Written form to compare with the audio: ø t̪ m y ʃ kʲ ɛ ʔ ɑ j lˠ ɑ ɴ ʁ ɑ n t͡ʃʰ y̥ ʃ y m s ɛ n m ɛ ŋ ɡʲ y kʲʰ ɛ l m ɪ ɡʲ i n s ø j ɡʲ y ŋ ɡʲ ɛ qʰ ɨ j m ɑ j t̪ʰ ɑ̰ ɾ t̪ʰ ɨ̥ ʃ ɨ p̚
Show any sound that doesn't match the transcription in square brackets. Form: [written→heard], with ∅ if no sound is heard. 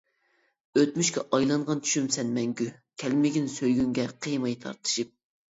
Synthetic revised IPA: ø t̪ m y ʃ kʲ ɛ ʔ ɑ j lˠ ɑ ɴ ʁ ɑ n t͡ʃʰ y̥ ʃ y m s ɛ n m ɛ ŋ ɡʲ y kʲʰ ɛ l m ɪ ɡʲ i n s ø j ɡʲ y ŋ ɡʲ ɛ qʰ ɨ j m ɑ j t̪ʰ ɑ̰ ɾ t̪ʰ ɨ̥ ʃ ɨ p̚